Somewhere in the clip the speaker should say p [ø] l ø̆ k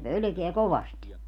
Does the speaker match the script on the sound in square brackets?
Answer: yes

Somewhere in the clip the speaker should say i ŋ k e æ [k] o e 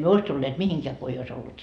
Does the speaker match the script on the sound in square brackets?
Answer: yes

